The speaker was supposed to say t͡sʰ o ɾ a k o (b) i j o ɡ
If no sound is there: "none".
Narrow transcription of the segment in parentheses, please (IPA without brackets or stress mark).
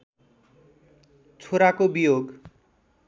b